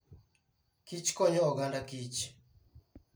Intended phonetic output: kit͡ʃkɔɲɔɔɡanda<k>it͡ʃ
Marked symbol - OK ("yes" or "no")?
yes